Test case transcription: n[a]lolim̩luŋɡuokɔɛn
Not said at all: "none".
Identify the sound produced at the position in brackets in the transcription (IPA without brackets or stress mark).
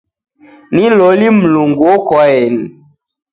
i